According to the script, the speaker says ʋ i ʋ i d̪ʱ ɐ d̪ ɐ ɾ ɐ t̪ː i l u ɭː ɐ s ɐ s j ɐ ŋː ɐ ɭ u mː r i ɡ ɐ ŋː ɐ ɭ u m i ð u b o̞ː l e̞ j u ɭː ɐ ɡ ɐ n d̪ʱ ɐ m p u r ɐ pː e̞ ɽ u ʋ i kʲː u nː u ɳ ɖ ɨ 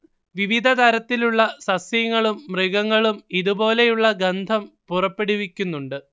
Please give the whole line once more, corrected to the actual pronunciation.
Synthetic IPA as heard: ʋ i ʋ i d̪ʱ ɐ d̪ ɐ ɾ ɐ t̪ː i l u ɭː ɐ s ɐ s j ɐ ŋː ɐ ɭ u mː r i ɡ ɐ ŋː ɐ ɭ u m i ð u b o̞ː l e̞ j u ɭː ɐ ɡ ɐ n d̪ʱ ɐ m p u r ɐ pː e̞ ɽ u ʋ i kʲː u nː u ɳ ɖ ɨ